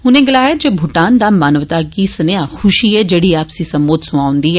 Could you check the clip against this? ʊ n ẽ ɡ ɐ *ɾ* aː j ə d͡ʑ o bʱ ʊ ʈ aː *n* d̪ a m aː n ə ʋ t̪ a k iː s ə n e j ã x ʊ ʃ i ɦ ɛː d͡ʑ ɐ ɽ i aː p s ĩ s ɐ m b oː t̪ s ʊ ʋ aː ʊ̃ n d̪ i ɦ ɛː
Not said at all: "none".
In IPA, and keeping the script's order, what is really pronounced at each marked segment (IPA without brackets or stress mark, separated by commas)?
l, n